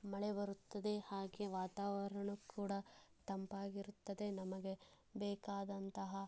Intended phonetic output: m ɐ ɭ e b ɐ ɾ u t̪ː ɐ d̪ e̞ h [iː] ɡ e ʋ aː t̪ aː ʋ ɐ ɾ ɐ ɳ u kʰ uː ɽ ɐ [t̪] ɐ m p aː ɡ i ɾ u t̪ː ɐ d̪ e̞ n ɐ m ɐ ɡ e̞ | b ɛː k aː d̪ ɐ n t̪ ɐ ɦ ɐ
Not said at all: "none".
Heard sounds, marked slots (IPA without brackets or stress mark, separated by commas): aː, t̪